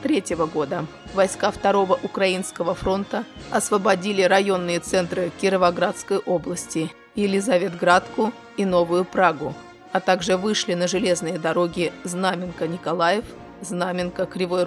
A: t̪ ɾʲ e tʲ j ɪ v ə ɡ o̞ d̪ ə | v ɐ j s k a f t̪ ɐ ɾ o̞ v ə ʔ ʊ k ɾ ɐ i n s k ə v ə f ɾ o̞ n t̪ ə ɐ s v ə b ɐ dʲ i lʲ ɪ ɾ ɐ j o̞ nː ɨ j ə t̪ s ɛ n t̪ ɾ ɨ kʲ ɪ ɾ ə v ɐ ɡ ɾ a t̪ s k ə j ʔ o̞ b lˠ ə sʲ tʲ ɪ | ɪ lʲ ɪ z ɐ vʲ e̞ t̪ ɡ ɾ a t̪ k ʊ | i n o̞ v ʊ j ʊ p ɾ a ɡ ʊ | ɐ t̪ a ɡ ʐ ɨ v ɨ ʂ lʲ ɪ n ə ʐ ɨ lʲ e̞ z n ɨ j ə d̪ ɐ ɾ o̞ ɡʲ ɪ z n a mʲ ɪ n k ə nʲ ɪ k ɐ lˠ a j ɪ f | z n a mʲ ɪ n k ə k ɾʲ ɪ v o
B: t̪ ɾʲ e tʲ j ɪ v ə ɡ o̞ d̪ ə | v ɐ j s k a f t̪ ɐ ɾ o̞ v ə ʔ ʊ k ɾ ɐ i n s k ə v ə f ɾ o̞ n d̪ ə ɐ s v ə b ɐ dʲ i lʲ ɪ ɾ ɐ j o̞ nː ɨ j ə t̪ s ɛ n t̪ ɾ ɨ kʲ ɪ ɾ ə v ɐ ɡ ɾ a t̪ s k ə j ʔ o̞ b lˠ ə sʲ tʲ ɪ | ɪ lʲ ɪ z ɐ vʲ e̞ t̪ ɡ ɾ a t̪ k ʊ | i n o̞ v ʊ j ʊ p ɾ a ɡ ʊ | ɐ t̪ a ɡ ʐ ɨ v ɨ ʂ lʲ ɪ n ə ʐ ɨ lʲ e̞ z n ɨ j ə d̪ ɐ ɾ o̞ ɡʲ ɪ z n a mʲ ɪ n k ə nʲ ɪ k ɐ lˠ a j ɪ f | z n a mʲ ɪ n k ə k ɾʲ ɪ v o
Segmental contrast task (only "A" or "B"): A